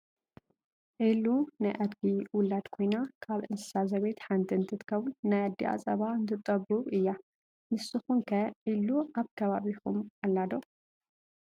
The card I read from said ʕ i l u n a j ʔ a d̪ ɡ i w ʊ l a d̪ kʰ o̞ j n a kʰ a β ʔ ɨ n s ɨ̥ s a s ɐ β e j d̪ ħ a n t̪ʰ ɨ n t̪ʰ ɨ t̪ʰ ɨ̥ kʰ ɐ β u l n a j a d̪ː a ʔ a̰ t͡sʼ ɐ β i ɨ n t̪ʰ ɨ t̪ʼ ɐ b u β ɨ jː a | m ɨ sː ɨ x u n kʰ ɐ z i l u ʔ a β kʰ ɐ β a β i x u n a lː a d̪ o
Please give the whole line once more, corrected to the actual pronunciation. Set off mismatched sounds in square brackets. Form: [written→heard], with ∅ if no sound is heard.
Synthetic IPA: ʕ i l u n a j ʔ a d̪ ɡ i w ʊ l a d̪ kʰ o̞ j n a kʰ a β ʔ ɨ n s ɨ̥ s a [s→z] ɐ β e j [d̪→t̪] ħ a n t̪ʰ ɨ n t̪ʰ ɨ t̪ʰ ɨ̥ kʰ ɐ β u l n a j a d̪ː [a→i] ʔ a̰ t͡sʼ ɐ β [i→a] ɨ n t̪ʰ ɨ t̪ʼ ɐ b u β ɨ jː a | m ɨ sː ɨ x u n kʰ ɐ [z→ʕ] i l u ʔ a β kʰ ɐ β a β i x u [n→m] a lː a d̪ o

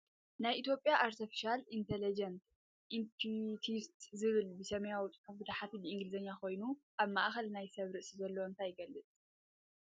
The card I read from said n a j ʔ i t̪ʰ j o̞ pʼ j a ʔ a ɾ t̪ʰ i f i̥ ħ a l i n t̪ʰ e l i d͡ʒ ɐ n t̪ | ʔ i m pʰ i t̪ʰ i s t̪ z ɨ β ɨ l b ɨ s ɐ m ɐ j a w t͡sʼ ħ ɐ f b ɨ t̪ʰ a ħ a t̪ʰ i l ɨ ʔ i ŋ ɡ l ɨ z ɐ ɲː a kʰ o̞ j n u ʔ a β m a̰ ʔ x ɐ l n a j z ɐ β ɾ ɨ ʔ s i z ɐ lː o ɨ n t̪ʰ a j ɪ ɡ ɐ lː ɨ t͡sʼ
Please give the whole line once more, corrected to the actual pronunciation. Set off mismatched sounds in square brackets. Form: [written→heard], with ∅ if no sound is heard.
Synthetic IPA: n a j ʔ i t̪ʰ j o̞ pʼ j a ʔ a ɾ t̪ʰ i f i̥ [ħ→ʃ] a l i n t̪ʰ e l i d͡ʒ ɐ n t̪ | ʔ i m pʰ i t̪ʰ i s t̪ z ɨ β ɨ l b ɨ s ɐ m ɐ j a w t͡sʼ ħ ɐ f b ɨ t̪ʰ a ħ a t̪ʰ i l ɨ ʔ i ŋ ɡ l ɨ z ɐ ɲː a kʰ o̞ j n u ʔ a β m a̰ ʔ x ɐ l n a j [z→s] ɐ β ɾ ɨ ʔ s i z ɐ lː o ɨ n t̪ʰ a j ɪ ɡ ɐ lː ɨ t͡sʼ

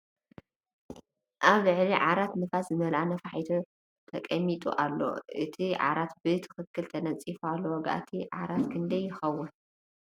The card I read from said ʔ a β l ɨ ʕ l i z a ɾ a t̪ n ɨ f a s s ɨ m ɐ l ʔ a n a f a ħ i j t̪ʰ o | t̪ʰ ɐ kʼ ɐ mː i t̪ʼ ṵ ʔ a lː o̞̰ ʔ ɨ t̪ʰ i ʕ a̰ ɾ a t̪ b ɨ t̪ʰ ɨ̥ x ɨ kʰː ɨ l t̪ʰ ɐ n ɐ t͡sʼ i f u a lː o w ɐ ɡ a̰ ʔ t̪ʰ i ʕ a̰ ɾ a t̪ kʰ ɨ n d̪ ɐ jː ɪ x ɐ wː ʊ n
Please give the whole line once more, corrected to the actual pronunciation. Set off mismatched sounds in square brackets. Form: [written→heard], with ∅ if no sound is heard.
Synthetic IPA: ʔ a β l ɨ ʕ l i [z→ʕ] a ɾ a t̪ n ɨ f a s [s→z] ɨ m ɐ l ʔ a n [a→ɐ] f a ħ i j t̪ʰ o | t̪ʰ ɐ kʼ ɐ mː i t̪ʼ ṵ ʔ a lː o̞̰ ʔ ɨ t̪ʰ i ʕ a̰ ɾ a t̪ b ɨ t̪ʰ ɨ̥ x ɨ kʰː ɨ l t̪ʰ ɐ n ɐ t͡sʼ i f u a lː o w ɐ ɡ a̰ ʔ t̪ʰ i ʕ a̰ ɾ a t̪ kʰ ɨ n d̪ ɐ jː ɪ x ɐ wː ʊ n

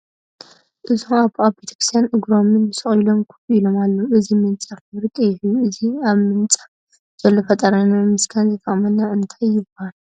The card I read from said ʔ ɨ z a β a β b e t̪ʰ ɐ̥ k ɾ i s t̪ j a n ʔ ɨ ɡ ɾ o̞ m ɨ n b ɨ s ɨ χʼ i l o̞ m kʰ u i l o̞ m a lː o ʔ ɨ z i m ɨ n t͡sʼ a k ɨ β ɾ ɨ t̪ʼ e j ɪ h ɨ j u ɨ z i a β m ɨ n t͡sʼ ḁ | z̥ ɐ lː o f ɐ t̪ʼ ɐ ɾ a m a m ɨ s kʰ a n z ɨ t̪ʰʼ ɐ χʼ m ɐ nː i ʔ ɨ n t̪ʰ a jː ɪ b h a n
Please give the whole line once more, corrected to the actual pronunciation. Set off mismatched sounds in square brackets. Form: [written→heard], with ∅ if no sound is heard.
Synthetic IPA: ʔ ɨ z a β a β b e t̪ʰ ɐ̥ k ɾ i s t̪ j a n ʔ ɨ ɡ ɾ o̞ m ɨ n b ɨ s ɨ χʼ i l o̞ m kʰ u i l o̞ m a lː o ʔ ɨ z i m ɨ n t͡sʼ a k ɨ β ɾ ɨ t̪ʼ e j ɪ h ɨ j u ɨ z i a β m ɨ n t͡sʼ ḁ | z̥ ɐ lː o f ɐ t̪ʼ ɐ ɾ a [m→n] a m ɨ s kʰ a n z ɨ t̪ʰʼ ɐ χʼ m ɐ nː [i→a] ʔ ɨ n t̪ʰ a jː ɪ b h a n

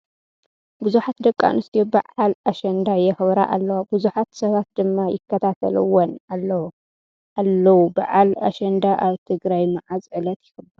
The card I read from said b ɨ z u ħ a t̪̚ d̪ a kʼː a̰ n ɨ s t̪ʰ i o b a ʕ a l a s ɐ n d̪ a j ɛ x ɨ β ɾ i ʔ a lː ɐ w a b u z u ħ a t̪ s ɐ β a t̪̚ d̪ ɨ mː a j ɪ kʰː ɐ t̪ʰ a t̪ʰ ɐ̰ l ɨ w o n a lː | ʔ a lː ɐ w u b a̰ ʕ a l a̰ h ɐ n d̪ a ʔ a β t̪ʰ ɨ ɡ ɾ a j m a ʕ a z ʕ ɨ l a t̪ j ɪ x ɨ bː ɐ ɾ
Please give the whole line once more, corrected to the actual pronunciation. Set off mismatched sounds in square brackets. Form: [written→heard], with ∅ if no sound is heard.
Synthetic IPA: b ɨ z u ħ a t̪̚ d̪ [a→ɐ] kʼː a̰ n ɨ s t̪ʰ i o b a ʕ a l a [s→ʃ] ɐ n d̪ a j ɛ x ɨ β ɾ [i→a] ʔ a lː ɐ w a b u z u ħ a t̪ s ɐ β a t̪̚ d̪ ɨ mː a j ɪ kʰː ɐ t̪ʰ a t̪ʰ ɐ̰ l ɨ w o n a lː | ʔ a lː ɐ w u b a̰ ʕ a l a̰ [h→ʃ] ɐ n d̪ a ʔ a β t̪ʰ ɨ ɡ ɾ a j m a ʕ a z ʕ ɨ l [a→ɐ] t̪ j ɪ x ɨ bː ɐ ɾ

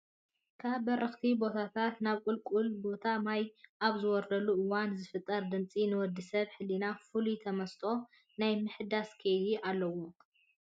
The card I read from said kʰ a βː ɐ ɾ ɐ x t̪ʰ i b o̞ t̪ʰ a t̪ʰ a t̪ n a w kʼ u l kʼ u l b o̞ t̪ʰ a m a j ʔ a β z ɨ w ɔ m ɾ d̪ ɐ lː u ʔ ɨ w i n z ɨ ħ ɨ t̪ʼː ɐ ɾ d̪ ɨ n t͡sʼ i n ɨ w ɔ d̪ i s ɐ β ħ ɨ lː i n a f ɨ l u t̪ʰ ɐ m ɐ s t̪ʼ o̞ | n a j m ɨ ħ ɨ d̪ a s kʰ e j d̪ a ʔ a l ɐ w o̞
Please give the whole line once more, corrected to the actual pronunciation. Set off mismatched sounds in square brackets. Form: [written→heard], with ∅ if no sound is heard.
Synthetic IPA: kʰ a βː ɐ ɾ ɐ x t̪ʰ i b o̞ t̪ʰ a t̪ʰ a t̪ n a [w→β] kʼ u l kʼ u l b o̞ t̪ʰ a m a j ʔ a β z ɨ w ɔ [m→∅] ɾ d̪ ɐ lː u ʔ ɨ w [i→a] n z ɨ [ħ→f] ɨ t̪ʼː ɐ ɾ d̪ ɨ n t͡sʼ i n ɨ w ɔ d̪ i s ɐ β ħ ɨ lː i n a f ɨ l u t̪ʰ ɐ m ɐ s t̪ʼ o̞ | n a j m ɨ ħ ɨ d̪ a s kʰ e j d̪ [a→i] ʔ a [l→lː] ɐ w o̞

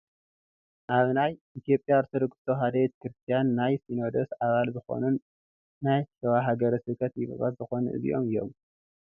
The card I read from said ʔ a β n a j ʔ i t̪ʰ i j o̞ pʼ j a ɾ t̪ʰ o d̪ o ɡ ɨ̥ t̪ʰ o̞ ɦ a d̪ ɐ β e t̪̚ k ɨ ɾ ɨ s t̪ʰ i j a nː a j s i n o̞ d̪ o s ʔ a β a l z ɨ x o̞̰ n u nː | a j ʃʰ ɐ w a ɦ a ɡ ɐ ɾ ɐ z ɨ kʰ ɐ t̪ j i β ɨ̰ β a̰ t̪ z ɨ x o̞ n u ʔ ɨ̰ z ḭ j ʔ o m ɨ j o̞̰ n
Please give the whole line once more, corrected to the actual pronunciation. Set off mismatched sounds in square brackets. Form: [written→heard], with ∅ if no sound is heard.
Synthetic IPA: ʔ a β n a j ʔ i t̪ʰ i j o̞ pʼ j a ɾ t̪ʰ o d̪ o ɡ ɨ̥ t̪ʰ o̞ ɦ a d̪ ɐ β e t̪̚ k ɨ ɾ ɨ s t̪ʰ i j a nː a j s i n o̞ d̪ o s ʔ a β a l z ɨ x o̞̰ n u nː | a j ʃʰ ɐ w a ɦ a ɡ ɐ ɾ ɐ [z→s] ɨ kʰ ɐ t̪ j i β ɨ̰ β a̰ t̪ z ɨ x o̞ n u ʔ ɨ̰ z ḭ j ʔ o m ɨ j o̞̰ [n→m]

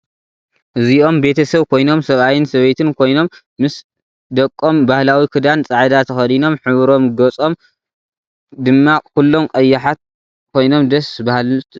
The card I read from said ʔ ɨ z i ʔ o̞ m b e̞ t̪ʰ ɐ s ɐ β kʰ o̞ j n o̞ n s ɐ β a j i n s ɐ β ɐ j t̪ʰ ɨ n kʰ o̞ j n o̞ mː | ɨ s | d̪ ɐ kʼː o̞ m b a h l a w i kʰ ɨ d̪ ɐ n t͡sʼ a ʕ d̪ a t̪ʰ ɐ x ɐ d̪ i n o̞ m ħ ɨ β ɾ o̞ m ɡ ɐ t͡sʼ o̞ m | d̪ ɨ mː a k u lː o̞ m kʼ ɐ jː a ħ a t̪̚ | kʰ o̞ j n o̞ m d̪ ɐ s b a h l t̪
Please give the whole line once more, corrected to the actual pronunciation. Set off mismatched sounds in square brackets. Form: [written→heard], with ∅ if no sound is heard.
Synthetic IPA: ʔ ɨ z i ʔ o̞ m b e̞ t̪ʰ ɐ s ɐ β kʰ o̞ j n o̞ [n→m] s ɐ β a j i n s ɐ β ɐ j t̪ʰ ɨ n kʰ o̞ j n o̞ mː | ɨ s | d̪ ɐ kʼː o̞ m b a h l a w i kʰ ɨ d̪ [ɐ→a] n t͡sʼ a ʕ d̪ a t̪ʰ ɐ x ɐ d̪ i n o̞ m ħ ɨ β ɾ o̞ m ɡ ɐ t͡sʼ o̞ m | d̪ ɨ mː a k u lː o̞ m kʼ ɐ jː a ħ a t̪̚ | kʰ o̞ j n o̞ m d̪ ɐ s b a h l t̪

